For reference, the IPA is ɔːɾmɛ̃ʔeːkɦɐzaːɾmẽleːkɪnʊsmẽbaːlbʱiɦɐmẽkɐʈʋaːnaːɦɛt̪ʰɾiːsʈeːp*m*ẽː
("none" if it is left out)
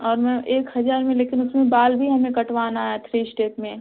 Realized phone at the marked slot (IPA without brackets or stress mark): m